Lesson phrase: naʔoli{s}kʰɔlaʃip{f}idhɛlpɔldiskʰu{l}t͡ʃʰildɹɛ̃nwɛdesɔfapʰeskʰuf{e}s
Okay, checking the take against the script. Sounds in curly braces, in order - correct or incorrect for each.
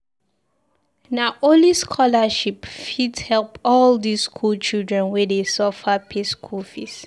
correct, correct, correct, incorrect: i

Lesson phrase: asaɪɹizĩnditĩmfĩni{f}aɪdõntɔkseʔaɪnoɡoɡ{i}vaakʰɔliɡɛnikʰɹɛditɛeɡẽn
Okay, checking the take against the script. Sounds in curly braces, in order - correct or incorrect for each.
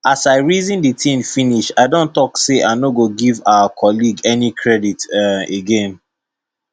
incorrect: ʃ, correct

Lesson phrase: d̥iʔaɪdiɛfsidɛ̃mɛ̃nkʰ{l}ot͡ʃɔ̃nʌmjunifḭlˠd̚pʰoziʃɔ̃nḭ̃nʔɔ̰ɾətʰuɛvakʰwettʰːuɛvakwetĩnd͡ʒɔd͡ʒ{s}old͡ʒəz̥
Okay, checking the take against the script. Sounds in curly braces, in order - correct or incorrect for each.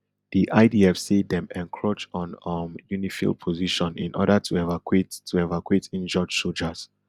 incorrect: ɹ, correct

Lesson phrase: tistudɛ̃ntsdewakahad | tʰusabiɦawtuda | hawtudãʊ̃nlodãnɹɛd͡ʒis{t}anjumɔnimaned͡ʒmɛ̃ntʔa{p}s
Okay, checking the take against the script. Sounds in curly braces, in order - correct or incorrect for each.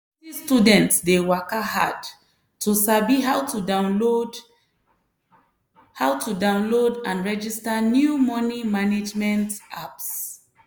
correct, correct

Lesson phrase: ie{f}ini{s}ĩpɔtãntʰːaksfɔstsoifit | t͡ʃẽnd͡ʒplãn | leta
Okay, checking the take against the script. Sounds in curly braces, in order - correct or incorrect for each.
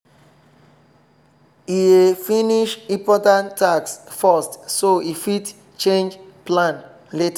correct, incorrect: ʃ

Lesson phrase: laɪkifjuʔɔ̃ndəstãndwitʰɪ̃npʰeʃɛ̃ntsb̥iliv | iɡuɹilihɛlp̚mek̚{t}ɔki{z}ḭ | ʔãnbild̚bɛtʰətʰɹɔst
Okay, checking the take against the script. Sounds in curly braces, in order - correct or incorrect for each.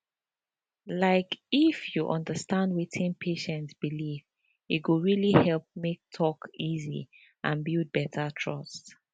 incorrect: tʰ, correct

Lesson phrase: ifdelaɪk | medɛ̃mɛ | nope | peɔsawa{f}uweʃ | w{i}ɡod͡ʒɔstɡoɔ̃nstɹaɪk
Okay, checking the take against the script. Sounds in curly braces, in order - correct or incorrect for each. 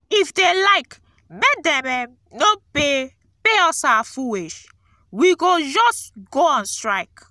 correct, correct

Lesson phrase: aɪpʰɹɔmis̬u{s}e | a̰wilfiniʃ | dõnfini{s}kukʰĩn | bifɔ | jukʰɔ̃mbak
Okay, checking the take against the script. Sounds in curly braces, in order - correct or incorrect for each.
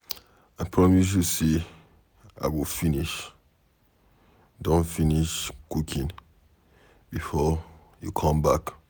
correct, incorrect: ʃ

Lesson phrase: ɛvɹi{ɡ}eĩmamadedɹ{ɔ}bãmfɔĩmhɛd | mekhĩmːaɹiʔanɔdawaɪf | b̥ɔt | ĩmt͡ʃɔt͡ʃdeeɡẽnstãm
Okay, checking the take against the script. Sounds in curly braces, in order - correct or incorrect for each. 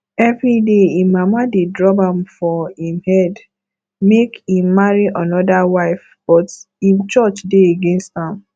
incorrect: d, correct

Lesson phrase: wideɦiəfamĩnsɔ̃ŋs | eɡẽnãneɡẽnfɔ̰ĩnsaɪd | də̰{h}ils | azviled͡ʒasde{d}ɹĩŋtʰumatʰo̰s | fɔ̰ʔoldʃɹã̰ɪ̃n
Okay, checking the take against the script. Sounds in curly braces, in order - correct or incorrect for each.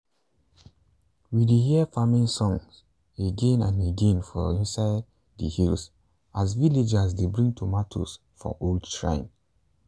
correct, incorrect: b

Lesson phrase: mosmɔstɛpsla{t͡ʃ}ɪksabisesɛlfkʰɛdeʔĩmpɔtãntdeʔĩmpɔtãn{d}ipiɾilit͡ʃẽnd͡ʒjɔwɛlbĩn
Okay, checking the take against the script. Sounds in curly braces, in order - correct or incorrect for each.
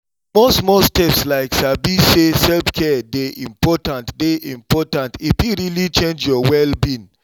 incorrect: none, incorrect: t

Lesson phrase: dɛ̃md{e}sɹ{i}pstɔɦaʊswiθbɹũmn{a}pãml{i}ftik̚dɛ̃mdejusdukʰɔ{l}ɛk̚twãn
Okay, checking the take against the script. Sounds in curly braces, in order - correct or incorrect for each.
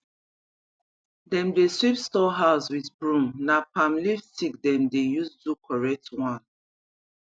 correct, correct, correct, correct, incorrect: ɹ

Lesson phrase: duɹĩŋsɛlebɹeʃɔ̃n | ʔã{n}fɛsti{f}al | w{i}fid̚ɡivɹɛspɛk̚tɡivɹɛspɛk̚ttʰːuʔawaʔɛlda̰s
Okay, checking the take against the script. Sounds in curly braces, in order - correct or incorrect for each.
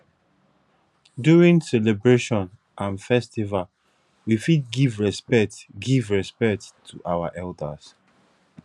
correct, incorrect: v, correct

